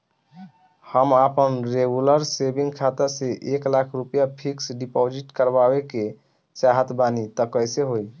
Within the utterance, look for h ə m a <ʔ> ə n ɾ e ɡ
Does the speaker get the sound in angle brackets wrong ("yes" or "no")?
yes